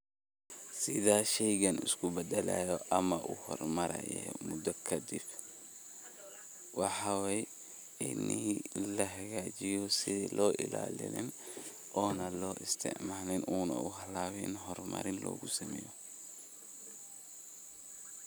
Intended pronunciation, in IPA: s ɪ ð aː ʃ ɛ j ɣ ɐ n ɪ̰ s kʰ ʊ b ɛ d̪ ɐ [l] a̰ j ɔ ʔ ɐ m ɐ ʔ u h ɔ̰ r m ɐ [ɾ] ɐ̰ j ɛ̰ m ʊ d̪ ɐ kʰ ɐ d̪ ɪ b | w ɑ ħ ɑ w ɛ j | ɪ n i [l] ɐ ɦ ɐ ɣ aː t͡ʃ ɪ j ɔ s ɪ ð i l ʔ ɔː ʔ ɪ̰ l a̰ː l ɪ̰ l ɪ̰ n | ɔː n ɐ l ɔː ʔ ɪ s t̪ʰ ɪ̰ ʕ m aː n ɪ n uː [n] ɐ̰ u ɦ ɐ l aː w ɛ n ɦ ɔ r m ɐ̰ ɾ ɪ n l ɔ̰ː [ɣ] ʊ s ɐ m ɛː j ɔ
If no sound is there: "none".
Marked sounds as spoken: l, ɾ, l, n, ɣ

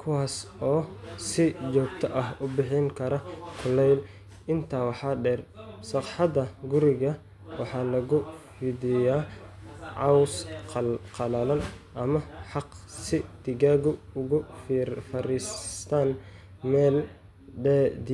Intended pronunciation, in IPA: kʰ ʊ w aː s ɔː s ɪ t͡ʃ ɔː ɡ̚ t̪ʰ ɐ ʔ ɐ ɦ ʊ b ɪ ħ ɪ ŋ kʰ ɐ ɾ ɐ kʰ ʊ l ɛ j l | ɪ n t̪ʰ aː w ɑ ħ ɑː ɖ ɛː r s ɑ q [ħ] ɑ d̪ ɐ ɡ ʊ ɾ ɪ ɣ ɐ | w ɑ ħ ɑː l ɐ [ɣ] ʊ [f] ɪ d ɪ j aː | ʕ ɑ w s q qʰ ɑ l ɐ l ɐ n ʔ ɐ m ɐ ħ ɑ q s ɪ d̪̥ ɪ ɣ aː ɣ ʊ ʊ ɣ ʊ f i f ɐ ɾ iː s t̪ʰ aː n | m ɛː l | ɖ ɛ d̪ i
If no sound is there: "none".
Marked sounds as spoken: ħ, ɣ, f

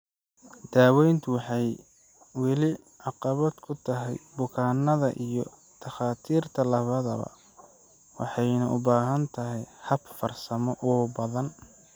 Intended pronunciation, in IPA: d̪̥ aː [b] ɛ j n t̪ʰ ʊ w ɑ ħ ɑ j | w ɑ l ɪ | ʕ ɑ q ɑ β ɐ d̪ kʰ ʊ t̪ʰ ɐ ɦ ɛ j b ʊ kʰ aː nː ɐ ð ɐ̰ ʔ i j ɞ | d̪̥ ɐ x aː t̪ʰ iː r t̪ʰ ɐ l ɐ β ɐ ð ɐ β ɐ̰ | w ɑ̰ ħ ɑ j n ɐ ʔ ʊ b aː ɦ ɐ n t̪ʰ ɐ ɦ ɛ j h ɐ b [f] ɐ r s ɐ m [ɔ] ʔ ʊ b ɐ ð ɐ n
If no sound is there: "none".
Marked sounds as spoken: w, f, ɔ

